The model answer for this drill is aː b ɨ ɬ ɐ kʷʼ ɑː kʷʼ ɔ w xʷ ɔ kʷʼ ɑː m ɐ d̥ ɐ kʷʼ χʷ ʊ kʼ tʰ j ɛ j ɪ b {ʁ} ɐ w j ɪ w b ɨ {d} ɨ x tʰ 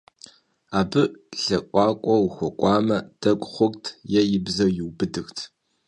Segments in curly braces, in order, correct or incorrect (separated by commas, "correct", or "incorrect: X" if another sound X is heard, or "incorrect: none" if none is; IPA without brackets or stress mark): incorrect: z, correct